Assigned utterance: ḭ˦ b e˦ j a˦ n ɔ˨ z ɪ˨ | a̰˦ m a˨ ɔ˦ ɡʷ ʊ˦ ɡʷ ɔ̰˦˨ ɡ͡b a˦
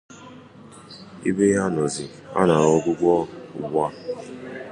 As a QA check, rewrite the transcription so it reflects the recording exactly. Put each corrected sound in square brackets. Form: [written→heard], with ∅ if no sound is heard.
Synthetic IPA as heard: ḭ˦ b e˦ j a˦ n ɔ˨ z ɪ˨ | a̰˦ [m→n] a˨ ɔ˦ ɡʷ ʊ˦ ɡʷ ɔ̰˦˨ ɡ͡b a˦